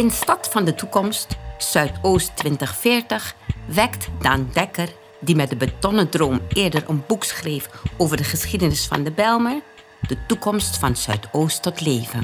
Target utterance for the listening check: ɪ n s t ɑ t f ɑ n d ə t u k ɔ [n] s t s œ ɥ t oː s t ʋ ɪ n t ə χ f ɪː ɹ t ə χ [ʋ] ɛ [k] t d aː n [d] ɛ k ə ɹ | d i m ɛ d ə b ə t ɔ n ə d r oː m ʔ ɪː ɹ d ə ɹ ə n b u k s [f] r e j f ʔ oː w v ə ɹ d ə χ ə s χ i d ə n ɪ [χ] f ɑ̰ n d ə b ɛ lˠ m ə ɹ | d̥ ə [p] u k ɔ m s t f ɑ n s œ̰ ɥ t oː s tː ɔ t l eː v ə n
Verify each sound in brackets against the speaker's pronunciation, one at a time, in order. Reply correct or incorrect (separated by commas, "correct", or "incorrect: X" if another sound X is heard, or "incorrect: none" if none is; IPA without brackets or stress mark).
incorrect: m, correct, correct, correct, incorrect: χ, incorrect: s, incorrect: t